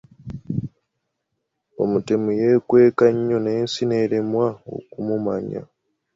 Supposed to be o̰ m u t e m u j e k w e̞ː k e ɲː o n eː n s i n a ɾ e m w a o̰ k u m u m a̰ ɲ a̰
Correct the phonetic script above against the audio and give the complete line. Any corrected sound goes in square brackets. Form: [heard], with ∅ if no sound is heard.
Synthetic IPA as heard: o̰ m u t e m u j e k w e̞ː k [a] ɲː o n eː n s i n [e] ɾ e m w a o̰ k u m u m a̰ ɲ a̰